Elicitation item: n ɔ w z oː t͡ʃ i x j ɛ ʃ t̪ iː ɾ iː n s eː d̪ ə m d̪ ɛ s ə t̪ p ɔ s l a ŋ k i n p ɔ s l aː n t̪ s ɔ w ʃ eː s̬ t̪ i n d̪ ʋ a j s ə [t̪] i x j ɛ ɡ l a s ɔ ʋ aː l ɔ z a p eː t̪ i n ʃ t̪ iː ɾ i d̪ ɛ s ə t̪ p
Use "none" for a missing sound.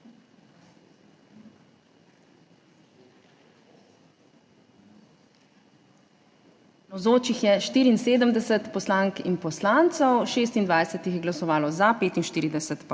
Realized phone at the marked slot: t̪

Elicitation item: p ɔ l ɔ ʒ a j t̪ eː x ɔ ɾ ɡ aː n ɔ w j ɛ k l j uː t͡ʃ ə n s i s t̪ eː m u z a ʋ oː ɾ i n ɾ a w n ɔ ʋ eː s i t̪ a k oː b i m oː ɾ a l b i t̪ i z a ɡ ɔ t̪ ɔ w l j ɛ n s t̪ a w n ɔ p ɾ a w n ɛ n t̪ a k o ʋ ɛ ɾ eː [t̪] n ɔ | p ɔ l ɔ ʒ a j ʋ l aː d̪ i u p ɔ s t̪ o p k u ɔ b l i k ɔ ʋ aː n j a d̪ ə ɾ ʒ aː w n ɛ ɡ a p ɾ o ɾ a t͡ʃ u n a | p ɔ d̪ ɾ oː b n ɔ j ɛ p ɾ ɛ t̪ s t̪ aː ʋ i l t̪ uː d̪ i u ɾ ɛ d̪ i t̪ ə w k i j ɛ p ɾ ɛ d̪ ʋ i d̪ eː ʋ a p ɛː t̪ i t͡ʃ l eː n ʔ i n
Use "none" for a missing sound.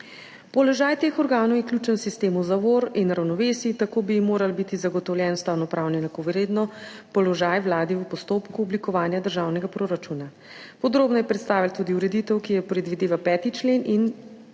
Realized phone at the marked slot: d̪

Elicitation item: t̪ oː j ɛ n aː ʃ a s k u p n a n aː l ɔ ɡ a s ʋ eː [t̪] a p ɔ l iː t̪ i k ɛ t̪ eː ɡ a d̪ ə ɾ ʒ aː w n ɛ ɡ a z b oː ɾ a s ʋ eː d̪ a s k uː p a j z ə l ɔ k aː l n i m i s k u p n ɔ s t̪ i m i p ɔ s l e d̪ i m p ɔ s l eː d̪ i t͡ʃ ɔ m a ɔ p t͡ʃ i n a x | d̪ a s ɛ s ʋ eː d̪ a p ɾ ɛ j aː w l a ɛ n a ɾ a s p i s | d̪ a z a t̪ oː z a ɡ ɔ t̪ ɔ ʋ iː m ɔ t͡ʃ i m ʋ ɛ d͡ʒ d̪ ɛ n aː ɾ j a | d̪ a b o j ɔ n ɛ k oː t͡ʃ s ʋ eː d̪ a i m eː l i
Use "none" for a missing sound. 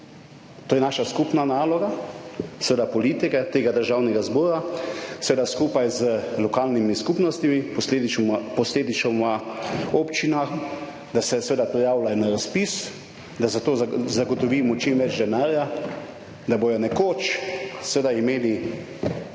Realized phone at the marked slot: d̪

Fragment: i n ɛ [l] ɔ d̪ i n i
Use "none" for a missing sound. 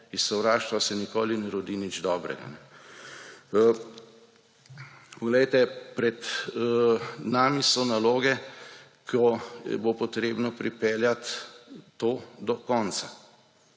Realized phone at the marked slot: ɾ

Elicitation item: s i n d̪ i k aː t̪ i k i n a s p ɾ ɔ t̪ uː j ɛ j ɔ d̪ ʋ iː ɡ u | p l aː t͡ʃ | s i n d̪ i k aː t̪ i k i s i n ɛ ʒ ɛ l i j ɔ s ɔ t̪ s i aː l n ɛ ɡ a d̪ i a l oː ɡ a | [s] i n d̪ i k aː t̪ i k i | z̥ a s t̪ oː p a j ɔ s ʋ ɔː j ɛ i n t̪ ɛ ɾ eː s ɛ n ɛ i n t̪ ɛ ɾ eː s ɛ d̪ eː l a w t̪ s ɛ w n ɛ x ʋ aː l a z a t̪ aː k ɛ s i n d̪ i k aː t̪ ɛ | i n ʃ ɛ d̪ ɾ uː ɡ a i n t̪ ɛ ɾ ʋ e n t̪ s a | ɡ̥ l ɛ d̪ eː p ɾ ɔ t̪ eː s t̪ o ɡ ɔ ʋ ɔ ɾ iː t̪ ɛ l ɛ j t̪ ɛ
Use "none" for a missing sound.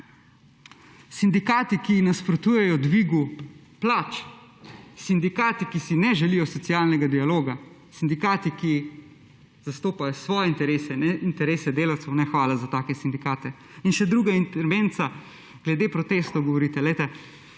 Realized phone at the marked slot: s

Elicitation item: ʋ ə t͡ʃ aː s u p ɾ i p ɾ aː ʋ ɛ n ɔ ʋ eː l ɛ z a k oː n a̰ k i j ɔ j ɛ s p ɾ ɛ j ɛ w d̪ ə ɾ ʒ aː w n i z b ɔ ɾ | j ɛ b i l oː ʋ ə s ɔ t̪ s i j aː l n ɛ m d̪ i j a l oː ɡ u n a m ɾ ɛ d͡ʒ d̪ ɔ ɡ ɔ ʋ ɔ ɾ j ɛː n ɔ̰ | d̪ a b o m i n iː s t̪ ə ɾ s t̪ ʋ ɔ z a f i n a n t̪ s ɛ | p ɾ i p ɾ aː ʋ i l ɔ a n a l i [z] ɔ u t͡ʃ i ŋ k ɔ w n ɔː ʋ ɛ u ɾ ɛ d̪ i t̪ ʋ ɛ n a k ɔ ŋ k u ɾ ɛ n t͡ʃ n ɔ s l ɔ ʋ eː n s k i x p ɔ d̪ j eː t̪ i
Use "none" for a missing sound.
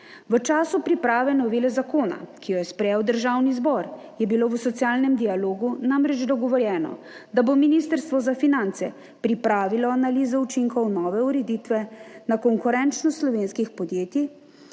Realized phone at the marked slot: z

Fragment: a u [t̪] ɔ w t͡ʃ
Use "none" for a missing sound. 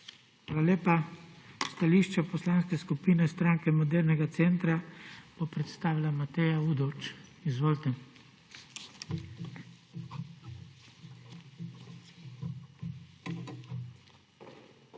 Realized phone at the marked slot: d̪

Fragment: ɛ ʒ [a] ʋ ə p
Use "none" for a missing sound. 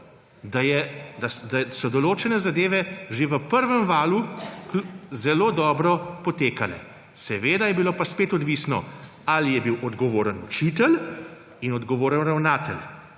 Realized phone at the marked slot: e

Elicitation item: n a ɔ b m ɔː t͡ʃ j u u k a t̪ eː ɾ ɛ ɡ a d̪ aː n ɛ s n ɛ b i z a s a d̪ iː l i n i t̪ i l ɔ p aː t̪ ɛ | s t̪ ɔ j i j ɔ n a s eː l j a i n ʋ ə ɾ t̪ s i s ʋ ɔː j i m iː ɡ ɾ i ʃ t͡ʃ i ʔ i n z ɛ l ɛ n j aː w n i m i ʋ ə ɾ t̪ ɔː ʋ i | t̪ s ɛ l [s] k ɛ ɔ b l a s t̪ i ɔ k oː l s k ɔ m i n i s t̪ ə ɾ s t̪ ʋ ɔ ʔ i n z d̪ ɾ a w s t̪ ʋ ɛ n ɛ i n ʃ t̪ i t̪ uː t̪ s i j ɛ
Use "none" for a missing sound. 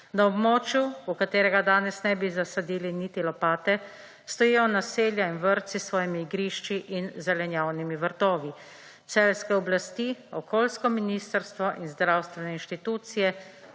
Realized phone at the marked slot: s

